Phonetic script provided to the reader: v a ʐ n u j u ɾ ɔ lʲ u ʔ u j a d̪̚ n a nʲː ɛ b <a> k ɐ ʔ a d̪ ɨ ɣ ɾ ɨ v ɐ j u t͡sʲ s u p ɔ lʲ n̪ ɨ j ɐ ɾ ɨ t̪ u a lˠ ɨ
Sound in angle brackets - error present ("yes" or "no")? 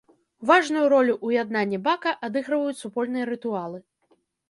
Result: no